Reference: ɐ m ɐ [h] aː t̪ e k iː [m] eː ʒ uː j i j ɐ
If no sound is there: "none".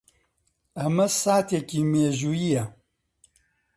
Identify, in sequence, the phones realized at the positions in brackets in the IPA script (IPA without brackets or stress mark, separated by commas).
s, m